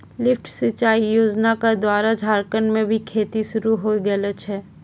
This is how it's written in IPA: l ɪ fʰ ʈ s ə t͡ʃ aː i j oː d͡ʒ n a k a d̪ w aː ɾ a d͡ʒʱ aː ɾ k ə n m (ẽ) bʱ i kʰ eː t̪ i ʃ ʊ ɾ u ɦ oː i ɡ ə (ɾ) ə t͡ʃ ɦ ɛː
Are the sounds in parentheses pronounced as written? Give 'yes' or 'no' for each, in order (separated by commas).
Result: yes, no